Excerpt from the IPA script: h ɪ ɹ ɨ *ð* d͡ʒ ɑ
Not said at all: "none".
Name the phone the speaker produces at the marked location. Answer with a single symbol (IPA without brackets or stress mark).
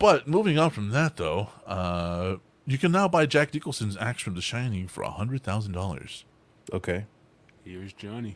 z